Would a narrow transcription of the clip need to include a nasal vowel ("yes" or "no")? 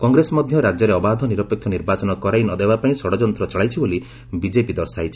yes